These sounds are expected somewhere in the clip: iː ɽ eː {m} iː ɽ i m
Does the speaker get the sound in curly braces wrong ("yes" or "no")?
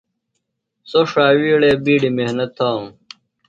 yes